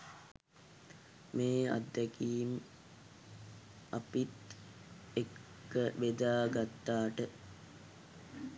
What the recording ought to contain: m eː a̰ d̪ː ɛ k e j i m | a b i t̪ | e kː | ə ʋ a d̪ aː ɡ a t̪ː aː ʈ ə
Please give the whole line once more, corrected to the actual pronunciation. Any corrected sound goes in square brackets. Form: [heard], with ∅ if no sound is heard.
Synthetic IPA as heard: m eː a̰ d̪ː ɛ k [i] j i m | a [p] i t̪ | e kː | ə ʋ [e] d̪ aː ɡ a t̪ː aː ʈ ə